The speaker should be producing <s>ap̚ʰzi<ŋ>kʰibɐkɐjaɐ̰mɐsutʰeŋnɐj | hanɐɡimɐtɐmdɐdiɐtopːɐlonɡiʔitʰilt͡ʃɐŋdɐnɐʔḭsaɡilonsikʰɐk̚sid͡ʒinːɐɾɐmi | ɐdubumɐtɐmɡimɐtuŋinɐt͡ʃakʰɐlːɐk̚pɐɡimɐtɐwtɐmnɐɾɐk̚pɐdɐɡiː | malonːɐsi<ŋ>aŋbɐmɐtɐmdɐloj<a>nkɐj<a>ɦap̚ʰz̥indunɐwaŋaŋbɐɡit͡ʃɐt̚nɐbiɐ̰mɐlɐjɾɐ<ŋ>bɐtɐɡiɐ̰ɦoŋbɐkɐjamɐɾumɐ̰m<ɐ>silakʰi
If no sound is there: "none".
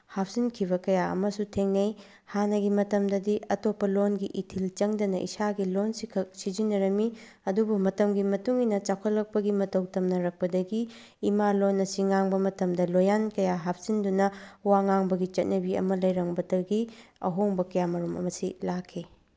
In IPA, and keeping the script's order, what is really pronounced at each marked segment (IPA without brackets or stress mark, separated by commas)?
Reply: h, n, ŋ, a, a, ŋ, ɐ